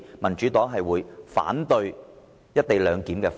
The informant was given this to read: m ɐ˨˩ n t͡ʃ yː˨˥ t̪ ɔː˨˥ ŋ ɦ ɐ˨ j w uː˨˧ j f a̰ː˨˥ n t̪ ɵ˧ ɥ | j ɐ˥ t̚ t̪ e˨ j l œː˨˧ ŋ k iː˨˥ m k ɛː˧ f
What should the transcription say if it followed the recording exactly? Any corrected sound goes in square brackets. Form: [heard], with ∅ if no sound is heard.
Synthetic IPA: m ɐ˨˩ n t͡ʃ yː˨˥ t̪ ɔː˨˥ ŋ ɦ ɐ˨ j w uː˨˧ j f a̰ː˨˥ n t̪ ɵ˧ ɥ | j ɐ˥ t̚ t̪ e˨ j l œː˨˧ ŋ k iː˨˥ m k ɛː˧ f

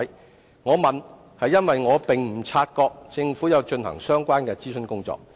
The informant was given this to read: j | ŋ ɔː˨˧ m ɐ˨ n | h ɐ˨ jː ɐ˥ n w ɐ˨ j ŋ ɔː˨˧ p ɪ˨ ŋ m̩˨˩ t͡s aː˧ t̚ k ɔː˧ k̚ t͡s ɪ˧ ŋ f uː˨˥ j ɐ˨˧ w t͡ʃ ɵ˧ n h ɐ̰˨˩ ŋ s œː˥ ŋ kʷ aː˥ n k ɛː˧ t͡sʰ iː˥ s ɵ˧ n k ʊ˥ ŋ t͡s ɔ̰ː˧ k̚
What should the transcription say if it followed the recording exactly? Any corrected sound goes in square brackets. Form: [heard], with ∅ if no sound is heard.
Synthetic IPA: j | ŋ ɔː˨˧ m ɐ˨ n | h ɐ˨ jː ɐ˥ n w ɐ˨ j ŋ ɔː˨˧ p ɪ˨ ŋ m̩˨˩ [t͡sʰ] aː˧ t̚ k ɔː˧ k̚ t͡s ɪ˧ ŋ f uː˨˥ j ɐ˨˧ w t͡ʃ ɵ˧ n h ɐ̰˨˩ ŋ s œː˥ ŋ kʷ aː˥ n k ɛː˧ [t͡s] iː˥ s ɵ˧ n k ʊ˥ ŋ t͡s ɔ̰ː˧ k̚

